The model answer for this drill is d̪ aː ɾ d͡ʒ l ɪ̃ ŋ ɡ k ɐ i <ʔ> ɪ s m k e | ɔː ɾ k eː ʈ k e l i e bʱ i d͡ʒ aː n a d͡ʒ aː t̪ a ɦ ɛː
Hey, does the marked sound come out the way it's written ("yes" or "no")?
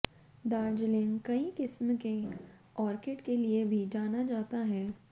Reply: no